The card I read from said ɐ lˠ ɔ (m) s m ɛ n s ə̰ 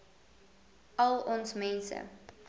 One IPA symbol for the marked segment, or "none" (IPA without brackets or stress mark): n